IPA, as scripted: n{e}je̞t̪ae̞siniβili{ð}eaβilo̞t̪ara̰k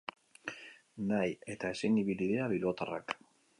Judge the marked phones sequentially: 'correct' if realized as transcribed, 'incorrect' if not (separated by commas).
incorrect, correct